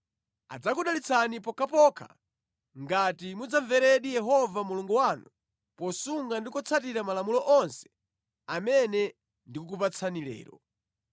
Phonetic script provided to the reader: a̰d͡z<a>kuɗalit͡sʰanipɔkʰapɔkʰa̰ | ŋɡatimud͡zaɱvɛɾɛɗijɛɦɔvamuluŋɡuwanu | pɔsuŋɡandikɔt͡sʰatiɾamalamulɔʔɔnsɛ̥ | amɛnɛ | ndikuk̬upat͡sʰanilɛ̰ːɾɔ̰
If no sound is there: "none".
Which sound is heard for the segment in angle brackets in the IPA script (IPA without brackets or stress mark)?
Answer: a